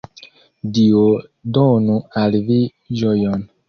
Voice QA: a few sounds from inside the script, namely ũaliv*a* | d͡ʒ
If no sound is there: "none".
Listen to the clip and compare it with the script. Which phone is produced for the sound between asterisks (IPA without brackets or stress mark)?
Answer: i